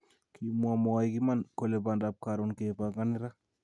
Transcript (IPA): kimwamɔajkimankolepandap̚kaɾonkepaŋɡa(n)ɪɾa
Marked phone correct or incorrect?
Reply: correct